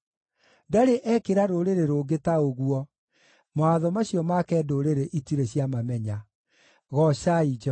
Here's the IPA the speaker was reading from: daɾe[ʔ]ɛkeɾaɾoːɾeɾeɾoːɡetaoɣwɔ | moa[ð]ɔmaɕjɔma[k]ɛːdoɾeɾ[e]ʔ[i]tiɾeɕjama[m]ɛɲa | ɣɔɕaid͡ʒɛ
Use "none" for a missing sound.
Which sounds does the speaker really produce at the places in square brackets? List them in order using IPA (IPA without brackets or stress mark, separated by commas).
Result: ʔ, ð, k, e, i, m